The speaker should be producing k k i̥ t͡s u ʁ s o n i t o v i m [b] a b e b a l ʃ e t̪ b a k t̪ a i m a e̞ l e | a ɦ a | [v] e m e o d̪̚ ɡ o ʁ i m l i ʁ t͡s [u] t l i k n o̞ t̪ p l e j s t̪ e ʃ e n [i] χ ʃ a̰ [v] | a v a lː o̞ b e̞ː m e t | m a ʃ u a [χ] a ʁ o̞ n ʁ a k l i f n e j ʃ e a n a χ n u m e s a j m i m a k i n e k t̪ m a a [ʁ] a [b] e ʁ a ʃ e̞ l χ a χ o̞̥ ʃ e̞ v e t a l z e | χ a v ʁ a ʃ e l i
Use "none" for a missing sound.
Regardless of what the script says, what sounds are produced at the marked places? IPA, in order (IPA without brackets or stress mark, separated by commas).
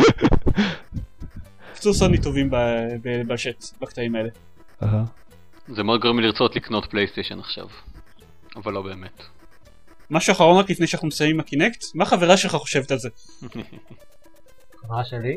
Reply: b, z, o, a, v, χ, χ, v